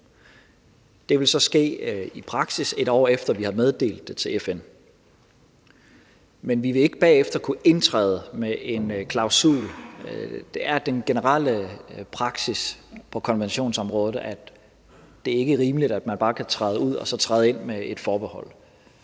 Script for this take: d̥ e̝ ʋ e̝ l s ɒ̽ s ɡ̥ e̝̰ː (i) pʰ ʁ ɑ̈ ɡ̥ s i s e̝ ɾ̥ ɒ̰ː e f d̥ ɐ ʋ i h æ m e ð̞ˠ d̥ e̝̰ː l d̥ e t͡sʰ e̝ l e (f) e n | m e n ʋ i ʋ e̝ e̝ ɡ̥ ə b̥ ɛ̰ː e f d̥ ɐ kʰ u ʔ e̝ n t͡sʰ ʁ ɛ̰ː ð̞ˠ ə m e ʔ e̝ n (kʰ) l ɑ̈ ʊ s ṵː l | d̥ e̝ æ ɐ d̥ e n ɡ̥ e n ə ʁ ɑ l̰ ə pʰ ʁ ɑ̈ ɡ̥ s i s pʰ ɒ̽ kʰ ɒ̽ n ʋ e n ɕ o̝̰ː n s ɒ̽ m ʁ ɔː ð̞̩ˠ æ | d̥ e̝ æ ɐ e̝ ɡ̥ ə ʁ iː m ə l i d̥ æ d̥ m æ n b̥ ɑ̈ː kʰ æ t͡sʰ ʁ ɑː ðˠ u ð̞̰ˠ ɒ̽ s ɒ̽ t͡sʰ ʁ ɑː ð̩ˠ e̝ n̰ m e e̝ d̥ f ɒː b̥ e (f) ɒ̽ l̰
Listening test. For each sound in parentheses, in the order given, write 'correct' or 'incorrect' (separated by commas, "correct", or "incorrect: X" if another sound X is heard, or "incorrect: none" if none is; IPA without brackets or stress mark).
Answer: correct, correct, correct, incorrect: h